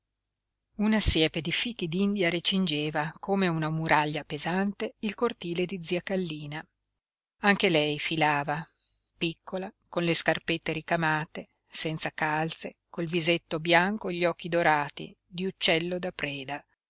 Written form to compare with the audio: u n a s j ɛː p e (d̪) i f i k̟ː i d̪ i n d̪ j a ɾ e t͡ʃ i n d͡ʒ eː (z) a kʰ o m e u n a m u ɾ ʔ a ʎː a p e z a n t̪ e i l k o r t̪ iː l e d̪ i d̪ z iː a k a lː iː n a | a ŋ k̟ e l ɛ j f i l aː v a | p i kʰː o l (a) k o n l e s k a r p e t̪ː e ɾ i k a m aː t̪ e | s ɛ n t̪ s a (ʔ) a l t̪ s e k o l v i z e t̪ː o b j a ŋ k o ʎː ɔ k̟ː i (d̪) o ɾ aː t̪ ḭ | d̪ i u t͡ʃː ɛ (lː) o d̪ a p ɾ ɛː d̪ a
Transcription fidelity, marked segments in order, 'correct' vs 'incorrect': correct, incorrect: v, correct, incorrect: k, correct, correct

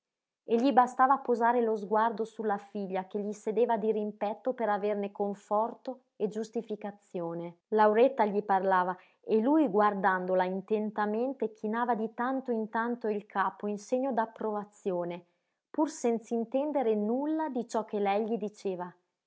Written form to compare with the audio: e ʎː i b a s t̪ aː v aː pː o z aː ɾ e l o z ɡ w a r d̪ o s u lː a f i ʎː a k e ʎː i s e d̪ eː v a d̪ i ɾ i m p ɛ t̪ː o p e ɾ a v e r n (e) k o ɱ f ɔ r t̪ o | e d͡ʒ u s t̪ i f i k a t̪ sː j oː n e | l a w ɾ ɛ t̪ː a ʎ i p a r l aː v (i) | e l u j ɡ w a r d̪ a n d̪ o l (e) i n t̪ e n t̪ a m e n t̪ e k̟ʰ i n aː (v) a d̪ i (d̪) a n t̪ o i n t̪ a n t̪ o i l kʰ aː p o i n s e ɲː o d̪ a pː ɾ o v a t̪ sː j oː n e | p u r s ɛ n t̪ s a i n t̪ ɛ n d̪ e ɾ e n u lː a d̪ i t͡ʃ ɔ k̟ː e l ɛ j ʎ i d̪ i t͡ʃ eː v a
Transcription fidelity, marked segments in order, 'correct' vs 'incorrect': correct, incorrect: a, incorrect: a, correct, incorrect: t̪

